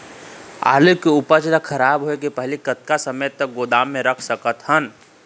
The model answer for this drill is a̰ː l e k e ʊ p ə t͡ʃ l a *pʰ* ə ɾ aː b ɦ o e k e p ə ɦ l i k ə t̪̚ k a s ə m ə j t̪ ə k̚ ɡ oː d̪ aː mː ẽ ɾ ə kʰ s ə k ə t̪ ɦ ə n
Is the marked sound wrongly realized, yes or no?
yes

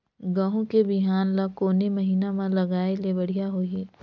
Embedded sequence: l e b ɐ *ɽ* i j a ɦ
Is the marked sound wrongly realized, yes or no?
no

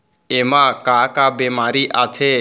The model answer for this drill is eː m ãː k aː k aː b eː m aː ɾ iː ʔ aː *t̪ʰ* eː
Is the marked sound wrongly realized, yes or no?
no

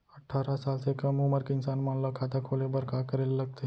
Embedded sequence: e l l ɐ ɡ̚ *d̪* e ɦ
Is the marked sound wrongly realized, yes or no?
yes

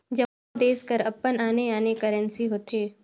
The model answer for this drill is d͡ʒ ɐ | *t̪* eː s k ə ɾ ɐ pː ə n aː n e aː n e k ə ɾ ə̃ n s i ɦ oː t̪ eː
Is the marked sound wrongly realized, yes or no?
yes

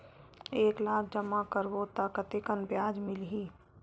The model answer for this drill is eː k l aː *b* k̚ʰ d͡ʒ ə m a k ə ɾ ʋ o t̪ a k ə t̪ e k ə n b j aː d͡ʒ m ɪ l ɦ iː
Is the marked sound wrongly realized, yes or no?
yes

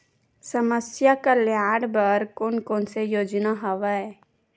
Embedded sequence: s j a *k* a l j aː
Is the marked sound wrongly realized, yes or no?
no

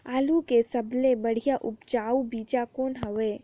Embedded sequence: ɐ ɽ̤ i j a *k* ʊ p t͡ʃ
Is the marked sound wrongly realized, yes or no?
yes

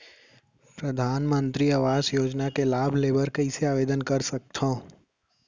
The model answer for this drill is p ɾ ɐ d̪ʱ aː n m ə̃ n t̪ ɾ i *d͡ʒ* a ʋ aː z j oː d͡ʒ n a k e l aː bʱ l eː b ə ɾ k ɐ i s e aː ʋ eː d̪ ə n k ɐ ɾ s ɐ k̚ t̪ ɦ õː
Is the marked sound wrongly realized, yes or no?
yes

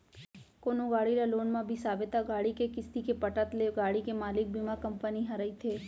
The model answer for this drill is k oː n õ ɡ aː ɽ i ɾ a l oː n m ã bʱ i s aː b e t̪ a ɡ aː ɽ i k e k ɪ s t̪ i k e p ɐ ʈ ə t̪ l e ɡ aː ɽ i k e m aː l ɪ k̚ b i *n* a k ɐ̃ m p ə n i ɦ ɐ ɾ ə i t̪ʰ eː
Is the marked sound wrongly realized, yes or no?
yes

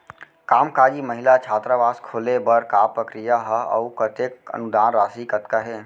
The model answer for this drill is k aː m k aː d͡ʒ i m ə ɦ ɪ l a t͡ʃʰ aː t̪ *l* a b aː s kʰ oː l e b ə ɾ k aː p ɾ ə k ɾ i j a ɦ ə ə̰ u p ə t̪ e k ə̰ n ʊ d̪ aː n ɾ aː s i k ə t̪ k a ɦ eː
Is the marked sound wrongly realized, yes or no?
yes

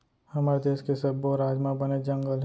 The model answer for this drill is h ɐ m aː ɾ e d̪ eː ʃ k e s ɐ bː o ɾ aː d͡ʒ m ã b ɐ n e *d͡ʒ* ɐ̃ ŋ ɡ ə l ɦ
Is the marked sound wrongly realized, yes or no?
no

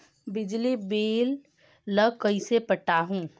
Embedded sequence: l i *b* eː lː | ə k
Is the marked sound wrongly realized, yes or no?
no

